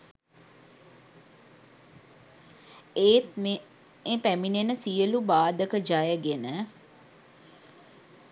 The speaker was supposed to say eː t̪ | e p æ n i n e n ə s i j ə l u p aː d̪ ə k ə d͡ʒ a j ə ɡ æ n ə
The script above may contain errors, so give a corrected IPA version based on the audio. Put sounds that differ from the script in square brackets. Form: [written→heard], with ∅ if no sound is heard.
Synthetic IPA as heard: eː t̪ | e p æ [n→m] i n e n ə s i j ə l u [p→b] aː d̪ ə k ə d͡ʒ a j ə ɡ [æ→e] n ə